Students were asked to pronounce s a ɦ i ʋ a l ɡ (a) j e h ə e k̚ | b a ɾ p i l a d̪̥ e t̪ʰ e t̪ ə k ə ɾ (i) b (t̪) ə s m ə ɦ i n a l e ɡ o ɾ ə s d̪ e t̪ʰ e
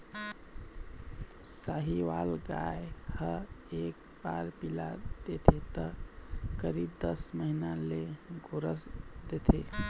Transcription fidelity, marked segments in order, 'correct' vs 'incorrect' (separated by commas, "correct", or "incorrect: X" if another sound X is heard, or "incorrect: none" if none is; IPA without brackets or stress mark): correct, correct, incorrect: d̪